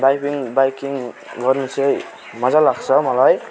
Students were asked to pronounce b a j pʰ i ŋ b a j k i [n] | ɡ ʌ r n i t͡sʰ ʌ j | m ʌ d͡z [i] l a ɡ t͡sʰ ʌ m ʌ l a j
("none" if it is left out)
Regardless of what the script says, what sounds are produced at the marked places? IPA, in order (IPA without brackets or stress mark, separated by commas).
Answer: ŋ, a